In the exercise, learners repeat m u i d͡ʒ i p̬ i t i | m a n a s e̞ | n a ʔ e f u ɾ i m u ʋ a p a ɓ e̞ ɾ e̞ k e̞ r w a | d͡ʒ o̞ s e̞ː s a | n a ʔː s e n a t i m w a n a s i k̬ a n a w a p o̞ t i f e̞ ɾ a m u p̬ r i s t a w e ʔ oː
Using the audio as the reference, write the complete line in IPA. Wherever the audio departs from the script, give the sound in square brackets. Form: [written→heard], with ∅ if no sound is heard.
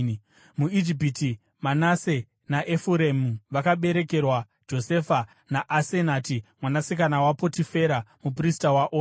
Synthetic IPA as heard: m u i d͡ʒ i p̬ i t i | m a n a s e̞ | n a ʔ e f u ɾ [i→e] m u ʋ a [p→k] a ɓ e̞ ɾ e̞ k e̞ r w a | d͡ʒ o̞ s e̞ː [s→f] a | n a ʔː s e n a t i m w a n a s i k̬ a n a w a p o̞ t i f e̞ ɾ a m u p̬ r i s t a w [e→a] ʔ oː